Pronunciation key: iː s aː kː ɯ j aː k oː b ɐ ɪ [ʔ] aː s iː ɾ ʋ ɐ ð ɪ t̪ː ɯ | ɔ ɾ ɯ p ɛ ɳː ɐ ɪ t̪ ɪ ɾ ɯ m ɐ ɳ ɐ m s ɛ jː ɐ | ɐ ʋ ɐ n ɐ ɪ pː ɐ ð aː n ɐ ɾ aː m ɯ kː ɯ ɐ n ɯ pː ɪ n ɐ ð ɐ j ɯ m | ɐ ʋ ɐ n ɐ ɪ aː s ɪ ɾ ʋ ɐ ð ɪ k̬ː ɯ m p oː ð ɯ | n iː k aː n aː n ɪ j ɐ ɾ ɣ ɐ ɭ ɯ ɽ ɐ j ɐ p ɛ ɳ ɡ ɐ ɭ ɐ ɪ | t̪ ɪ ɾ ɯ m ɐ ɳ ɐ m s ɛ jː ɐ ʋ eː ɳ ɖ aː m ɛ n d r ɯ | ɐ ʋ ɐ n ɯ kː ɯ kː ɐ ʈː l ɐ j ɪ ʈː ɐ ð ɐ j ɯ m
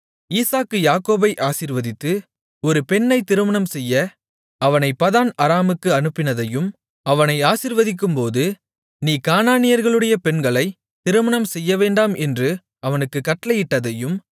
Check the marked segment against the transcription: correct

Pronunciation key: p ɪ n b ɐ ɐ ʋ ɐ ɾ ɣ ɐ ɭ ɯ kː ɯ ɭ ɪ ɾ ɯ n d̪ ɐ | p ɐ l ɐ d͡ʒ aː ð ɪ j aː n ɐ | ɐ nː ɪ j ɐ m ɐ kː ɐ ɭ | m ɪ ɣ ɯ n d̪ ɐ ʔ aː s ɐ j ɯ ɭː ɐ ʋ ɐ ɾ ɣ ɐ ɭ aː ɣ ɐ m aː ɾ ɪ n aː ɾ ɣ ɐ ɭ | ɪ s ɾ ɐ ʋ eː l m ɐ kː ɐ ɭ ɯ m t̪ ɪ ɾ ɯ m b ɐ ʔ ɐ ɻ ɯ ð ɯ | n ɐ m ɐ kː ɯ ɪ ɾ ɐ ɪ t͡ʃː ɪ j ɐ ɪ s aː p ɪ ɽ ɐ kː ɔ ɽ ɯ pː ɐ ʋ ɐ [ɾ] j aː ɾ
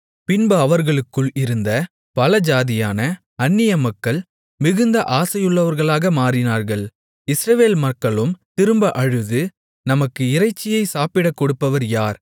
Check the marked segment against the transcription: correct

